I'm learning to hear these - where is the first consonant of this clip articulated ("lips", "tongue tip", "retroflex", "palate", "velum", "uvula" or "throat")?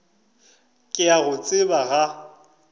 velum